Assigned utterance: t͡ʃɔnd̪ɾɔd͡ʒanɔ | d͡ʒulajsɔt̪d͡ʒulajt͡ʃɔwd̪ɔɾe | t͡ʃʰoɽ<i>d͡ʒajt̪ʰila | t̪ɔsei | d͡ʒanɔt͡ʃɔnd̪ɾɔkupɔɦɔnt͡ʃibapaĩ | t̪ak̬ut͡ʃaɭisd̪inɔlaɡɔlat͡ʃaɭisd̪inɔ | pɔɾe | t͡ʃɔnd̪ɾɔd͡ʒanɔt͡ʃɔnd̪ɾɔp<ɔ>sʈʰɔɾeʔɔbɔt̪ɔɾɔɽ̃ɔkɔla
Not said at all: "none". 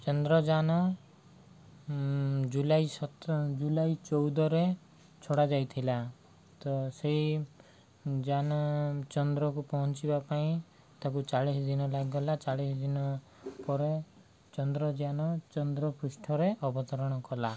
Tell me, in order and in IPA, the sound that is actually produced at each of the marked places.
a, u

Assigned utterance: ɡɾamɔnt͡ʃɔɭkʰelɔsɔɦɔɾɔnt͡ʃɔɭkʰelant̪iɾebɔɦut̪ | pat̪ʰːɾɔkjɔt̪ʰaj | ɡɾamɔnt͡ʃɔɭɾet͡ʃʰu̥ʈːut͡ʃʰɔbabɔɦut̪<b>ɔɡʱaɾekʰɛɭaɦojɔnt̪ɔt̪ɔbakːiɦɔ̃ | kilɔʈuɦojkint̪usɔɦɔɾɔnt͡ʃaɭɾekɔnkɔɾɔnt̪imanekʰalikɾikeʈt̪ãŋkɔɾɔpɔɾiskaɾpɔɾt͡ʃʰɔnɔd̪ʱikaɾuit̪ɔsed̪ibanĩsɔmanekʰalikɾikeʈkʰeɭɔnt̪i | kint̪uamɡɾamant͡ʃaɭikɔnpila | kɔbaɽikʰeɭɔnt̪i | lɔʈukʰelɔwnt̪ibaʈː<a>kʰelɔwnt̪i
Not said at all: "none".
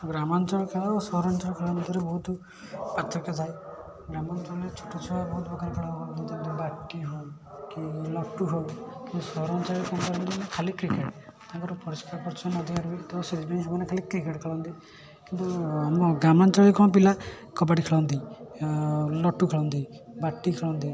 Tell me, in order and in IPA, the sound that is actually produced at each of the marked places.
b, i

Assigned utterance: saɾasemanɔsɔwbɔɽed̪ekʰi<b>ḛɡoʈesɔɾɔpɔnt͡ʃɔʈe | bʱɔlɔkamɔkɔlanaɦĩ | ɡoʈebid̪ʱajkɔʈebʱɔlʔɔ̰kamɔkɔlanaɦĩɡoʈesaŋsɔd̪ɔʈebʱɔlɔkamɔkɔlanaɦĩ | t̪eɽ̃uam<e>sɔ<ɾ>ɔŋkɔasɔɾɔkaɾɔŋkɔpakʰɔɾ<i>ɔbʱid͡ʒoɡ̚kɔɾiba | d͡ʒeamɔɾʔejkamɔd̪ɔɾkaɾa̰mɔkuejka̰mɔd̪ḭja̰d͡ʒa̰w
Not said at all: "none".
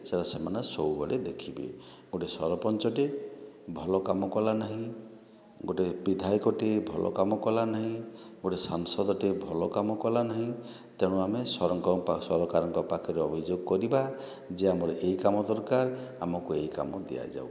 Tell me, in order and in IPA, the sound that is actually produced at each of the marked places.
b, e, ɾ, e

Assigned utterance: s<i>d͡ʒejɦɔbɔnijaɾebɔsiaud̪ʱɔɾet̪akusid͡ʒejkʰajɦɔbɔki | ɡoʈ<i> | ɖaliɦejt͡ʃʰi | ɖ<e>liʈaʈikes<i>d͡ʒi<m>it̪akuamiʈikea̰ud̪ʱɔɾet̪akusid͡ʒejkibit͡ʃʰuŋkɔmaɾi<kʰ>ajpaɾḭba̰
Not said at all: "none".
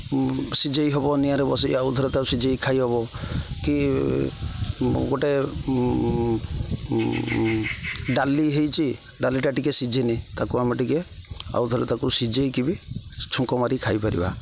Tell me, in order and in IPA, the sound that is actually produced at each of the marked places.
i, e, a, i, n, kʰ

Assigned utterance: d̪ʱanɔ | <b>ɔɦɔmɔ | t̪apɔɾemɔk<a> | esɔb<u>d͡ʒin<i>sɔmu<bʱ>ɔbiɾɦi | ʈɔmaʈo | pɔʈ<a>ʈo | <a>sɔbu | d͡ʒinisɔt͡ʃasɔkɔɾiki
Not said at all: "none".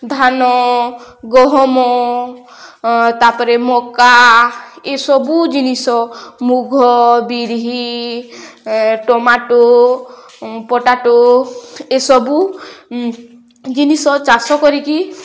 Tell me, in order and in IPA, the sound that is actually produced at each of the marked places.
ɡ, a, u, i, ɡʱ, a, e

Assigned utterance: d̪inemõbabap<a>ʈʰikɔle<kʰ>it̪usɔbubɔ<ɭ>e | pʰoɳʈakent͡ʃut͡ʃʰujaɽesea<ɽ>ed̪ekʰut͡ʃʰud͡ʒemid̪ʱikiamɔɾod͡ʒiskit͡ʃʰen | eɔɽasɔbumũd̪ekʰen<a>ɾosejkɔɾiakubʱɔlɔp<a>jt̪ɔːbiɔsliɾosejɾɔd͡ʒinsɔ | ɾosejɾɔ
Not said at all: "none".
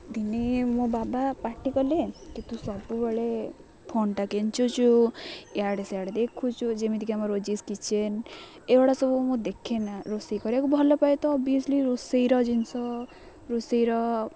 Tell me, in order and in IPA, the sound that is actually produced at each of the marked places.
a, k, ɭ, ɽ, a, a

